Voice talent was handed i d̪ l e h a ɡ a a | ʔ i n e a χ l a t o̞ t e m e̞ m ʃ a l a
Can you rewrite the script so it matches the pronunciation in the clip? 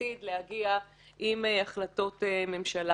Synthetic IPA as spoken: i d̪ l e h a ɡ i a | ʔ i m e a χ l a t o̞ t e m e̞ m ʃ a l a